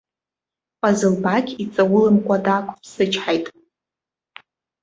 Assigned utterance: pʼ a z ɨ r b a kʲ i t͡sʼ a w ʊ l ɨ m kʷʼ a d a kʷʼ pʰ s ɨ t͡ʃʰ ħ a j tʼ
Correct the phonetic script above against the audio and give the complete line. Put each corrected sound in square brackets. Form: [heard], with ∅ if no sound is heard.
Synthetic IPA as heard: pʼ a z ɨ [l] b a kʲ i t͡sʼ a w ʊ l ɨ m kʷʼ a d a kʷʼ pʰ s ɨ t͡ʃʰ ħ a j tʼ